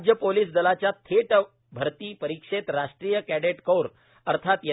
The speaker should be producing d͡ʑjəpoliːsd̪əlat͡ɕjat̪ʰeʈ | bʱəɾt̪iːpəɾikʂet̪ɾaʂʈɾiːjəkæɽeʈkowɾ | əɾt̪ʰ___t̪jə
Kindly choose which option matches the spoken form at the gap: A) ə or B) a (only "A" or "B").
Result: B